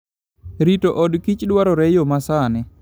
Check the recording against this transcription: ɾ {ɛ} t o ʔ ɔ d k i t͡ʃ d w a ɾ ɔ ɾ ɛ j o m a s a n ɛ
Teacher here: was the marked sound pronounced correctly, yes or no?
no